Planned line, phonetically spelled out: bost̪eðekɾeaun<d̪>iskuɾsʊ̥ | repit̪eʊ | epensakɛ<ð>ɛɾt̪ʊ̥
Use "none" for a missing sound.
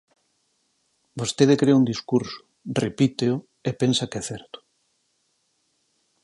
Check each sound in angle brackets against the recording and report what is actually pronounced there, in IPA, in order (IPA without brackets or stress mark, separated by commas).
d̪, θ